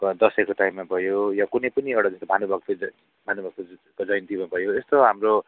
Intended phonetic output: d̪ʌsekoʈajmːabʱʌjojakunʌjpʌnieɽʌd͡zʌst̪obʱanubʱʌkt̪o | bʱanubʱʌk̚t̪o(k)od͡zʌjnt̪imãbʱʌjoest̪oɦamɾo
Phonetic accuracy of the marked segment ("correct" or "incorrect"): correct